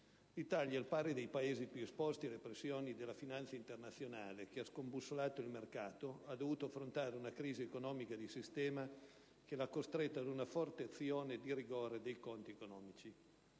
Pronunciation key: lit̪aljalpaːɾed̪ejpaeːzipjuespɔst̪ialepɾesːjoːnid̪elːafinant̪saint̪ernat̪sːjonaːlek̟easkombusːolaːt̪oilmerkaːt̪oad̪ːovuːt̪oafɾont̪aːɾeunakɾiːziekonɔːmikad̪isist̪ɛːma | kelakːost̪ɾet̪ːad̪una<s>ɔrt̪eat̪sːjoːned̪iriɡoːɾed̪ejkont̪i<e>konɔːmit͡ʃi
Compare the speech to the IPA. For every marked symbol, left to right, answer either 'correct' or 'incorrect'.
incorrect: f, correct

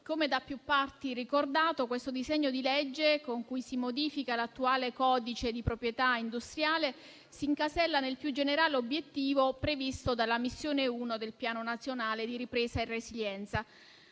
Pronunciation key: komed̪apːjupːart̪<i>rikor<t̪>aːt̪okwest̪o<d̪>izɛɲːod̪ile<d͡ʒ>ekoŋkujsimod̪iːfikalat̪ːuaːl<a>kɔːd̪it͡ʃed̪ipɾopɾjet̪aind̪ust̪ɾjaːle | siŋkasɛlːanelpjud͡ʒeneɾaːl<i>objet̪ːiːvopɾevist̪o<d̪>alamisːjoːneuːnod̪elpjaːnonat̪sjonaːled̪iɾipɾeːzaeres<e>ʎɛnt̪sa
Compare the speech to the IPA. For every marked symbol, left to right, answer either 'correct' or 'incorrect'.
correct, incorrect: d̪, correct, incorrect: d͡ʒː, incorrect: e, incorrect: e, correct, incorrect: i

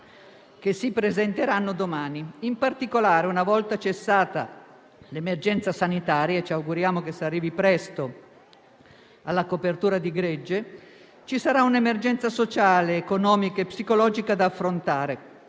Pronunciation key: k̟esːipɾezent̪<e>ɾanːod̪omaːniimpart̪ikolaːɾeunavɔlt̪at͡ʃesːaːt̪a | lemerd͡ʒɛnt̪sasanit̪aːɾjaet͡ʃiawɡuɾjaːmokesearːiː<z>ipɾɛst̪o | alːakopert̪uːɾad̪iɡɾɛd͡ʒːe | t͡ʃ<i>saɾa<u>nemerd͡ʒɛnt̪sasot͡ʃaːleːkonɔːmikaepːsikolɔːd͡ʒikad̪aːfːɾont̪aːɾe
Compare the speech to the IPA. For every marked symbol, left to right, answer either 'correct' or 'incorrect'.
correct, incorrect: v, correct, correct

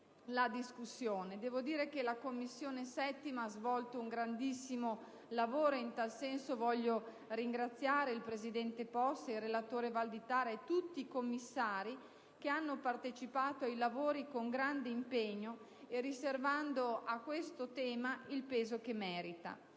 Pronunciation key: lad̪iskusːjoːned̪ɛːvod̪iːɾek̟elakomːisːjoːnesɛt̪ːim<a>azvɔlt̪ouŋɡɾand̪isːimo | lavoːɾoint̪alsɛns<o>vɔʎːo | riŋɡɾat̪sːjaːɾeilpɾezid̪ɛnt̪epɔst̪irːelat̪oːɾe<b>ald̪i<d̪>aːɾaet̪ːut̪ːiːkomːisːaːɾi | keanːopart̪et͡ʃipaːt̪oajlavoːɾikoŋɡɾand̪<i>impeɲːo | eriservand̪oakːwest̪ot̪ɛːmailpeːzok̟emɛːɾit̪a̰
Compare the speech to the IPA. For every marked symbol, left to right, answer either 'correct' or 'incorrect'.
correct, correct, incorrect: v, incorrect: t̪, incorrect: e

